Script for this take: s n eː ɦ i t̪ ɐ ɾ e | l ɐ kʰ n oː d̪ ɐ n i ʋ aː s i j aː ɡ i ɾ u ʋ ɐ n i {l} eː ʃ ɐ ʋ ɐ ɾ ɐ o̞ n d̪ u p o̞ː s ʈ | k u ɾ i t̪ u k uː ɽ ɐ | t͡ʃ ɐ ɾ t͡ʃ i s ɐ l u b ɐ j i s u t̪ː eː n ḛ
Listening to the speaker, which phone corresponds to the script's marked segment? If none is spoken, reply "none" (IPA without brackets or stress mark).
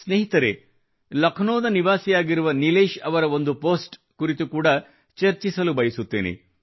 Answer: l